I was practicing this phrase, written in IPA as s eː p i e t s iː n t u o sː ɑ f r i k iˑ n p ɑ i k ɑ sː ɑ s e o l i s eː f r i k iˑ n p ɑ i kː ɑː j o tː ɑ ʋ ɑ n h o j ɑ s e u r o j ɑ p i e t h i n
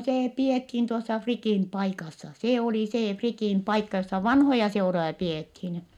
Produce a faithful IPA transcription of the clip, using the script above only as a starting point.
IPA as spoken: s eː p i e t h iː n t u o sː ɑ f r i k iˑ n p ɑ i k ɑ sː ɑ s e o l i s eː f r i k iˑ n p ɑ i kː ɑ j o sː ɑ ʋ ɑ n h o j ɑ s e u r o j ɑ p i e t h i n